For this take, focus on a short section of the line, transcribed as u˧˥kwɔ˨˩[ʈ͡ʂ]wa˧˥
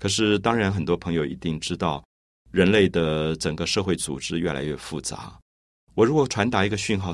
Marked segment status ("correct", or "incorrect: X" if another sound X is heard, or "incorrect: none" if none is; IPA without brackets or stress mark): incorrect: ʈ͡ʂʰ